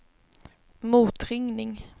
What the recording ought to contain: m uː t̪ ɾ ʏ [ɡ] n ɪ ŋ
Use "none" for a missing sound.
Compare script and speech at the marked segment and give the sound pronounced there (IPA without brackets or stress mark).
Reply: ŋ